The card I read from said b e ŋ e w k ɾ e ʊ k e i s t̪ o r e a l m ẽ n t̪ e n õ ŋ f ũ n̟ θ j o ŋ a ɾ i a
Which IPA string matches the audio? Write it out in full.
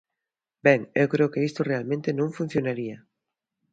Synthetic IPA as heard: b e ŋ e w k ɾ e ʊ k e i s t̪ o r e a l m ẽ n t̪ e n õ ŋ f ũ n̟ θ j o n a ɾ i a